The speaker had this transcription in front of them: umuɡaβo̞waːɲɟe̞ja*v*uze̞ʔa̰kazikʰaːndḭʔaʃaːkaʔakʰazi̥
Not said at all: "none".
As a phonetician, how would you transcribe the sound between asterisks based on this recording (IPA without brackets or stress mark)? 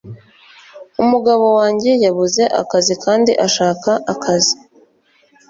β